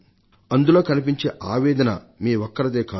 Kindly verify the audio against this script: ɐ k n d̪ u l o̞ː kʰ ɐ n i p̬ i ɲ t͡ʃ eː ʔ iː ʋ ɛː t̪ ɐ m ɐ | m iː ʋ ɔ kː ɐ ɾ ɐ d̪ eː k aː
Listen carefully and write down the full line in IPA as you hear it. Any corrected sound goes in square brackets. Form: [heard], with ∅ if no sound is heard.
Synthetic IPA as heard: ɐ [∅] n d̪ u l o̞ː [k] ɐ n i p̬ i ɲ t͡ʃ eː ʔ [aː] ʋ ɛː [d̪] ɐ [n] ɐ | m iː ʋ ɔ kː ɐ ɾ ɐ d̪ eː k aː